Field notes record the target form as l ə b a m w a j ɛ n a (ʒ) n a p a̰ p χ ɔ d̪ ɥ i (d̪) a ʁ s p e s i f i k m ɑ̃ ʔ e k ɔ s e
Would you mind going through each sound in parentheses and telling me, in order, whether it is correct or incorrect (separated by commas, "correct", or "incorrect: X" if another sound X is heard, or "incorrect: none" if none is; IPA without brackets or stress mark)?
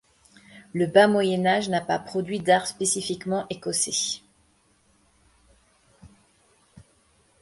correct, correct